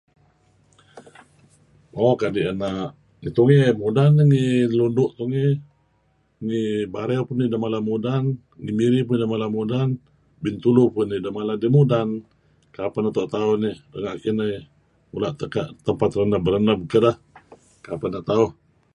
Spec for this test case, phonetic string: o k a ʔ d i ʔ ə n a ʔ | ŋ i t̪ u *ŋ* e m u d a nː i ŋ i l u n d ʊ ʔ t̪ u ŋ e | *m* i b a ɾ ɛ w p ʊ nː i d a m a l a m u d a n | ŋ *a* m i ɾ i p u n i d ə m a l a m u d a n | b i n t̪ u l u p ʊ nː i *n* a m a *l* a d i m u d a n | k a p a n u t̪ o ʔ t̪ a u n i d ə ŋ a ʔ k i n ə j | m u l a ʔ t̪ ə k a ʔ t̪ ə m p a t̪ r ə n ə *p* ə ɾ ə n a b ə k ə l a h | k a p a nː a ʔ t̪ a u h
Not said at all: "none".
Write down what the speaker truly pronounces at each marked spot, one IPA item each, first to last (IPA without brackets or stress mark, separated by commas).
ŋ, ŋ, i, d, l, b